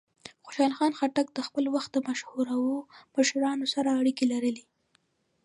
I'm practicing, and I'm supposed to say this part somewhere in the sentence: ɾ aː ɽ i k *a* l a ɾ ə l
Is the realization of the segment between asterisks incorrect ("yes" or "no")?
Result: yes